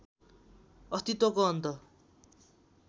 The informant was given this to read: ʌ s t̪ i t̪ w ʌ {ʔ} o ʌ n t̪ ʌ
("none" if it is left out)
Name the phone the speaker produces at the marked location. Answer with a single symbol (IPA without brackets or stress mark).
k